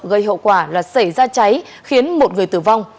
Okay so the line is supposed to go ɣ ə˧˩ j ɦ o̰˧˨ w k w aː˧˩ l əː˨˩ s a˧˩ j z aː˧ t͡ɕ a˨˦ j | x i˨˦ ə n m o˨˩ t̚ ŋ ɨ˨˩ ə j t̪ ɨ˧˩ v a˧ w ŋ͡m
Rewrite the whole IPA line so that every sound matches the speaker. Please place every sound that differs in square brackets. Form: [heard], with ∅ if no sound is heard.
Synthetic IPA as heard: ɣ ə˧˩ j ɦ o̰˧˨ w k w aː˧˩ l [aː˨˩] s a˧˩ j z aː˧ t͡ɕ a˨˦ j | x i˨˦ ə n m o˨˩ t̚ ŋ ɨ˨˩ ə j t̪ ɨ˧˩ v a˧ w ŋ͡m